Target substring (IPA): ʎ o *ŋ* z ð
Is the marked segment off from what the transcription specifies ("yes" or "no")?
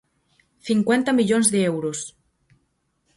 yes